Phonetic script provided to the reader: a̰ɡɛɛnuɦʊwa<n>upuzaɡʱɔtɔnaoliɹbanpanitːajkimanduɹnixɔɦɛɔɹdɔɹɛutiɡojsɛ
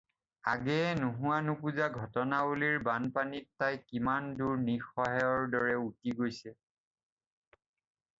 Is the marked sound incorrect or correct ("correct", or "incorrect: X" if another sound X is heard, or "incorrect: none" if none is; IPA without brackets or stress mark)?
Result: correct